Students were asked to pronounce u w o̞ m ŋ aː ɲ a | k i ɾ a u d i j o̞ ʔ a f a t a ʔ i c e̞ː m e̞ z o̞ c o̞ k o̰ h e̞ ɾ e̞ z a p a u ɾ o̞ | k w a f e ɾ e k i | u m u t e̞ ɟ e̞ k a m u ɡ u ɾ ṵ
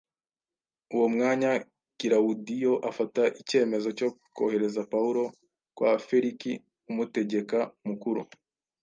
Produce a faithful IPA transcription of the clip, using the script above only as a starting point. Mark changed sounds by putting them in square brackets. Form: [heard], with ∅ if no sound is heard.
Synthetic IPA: u w o̞ m ŋ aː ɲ a | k i ɾ a u d i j o̞ ʔ a f a t a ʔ i c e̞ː m e̞ z o̞ c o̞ k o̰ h e̞ ɾ e̞ z a p a u ɾ o̞ | k w a f e ɾ [i] k i | u m u t e̞ ɟ e̞ k a m u [k] u ɾ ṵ